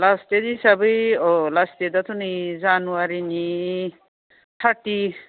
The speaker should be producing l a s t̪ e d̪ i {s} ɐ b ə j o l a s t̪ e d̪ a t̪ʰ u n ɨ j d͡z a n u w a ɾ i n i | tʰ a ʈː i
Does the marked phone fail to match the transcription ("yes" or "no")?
no